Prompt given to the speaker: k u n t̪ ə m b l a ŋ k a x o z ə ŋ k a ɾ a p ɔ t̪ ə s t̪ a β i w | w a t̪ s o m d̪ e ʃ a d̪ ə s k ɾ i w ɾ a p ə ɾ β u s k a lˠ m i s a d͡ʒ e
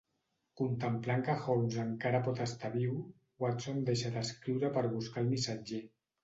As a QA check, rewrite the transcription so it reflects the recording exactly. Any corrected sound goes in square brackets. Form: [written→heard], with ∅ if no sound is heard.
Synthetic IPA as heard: k u n t̪ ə m [b→p] l a ŋ k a x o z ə ŋ k a ɾ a p ɔ t̪ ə s t̪ a β i w | w a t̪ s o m d̪ e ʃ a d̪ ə s k ɾ i w ɾ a p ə ɾ β u s k a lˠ m i s a d͡ʒ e